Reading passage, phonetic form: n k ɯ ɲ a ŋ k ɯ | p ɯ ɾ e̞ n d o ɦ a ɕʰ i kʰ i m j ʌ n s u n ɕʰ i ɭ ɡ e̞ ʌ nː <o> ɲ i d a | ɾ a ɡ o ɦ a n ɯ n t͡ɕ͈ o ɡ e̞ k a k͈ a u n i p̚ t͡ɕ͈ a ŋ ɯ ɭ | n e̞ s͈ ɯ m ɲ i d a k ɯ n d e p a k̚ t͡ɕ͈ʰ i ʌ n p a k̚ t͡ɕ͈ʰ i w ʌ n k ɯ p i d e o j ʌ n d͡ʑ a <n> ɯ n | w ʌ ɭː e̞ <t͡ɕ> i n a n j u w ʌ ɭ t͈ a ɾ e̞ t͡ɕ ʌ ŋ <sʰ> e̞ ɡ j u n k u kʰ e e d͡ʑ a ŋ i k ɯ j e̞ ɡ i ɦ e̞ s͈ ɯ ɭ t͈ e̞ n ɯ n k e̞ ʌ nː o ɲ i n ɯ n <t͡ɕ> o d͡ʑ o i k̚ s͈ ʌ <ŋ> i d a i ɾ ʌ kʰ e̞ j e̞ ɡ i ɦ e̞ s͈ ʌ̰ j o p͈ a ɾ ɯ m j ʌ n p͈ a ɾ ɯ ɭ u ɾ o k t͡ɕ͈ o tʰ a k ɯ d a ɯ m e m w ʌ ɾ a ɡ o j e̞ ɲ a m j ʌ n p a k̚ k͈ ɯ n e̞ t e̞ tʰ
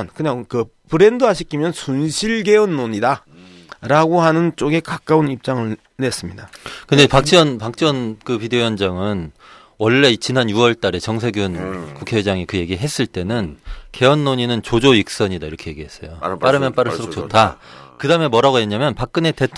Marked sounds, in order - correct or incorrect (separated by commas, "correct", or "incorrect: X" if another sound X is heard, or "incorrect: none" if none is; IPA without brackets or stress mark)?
correct, incorrect: ŋ, correct, correct, correct, incorrect: ɲ